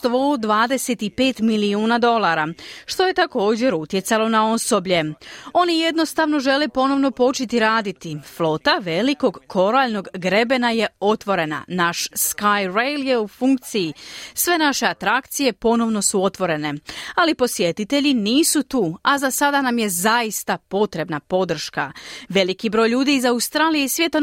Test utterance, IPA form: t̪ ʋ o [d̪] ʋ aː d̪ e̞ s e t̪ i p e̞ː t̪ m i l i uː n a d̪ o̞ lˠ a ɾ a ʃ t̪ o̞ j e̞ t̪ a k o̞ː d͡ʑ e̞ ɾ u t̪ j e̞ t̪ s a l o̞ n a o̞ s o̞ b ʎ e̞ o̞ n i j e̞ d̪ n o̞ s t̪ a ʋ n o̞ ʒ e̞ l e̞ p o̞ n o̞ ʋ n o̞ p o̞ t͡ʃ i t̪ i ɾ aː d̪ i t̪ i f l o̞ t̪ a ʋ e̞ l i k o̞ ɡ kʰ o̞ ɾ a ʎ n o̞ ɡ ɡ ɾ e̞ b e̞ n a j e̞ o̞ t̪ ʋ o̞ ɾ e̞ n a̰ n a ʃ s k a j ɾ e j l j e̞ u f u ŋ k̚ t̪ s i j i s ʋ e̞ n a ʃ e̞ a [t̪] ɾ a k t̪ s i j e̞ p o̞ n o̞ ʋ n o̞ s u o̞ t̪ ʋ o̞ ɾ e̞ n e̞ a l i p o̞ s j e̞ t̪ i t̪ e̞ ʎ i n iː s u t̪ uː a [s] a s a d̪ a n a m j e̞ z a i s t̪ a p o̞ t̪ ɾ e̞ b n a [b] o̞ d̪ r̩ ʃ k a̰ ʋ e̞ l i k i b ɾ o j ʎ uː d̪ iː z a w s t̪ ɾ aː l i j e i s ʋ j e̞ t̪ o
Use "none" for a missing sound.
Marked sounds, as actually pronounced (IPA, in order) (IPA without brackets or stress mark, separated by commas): d̪, t̪, z, p